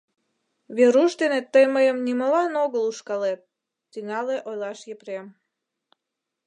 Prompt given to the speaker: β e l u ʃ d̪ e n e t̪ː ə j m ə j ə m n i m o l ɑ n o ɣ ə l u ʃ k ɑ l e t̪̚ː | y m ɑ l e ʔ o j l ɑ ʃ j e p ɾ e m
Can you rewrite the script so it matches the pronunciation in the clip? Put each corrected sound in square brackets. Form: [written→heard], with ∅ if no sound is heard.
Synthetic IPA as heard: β e [l→ɾ] u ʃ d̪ e n e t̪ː ə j m ə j ə m n i m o l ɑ n o ɣ ə l u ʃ k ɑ l e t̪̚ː | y [m→ŋ] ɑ l e ʔ o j l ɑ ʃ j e p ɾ e m